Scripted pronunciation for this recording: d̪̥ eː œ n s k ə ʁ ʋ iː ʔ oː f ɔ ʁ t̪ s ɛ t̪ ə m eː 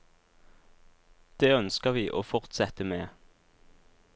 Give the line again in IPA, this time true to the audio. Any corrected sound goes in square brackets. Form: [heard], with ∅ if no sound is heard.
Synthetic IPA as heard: d̪̥ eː œ n s k ə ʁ ʋ iː ʔ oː f ɔ ʁ t̪ s ɛ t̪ ə m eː